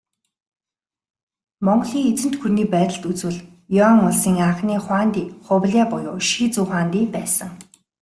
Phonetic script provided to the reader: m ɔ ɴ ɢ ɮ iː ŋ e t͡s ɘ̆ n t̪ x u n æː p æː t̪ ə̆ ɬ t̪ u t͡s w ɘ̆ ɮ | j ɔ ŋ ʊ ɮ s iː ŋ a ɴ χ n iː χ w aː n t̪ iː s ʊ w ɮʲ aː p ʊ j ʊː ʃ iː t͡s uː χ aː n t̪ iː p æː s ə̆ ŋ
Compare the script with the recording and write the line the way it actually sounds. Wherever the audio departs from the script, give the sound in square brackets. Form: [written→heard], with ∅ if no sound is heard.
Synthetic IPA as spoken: m ɔ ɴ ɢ ɮ iː ŋ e t͡s ɘ̆ n t̪ x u n [æː→iː] p æː t̪ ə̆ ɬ t̪ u t͡s w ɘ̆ ɮ | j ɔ ŋ ʊ ɮ s iː ŋ a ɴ χ n iː χ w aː n t̪ iː [s→χ] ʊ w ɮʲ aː p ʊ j ʊː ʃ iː t͡s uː χ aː n t̪ iː p æː s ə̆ ŋ